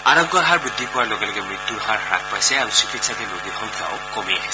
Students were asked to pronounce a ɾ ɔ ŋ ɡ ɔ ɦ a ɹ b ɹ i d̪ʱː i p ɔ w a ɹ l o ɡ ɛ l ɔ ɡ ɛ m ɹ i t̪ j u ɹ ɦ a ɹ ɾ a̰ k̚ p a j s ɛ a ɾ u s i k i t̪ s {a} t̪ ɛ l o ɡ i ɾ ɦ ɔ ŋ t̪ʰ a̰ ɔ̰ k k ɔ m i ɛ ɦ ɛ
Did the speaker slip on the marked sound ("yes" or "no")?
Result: no